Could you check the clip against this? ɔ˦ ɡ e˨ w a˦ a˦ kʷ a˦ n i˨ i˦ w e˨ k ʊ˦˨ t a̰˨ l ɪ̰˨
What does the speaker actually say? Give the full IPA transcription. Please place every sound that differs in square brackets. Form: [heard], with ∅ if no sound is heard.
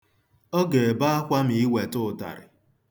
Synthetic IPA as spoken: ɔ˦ ɡ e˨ [b] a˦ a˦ kʷ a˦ [m] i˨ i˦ w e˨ [t] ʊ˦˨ t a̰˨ [ɾ] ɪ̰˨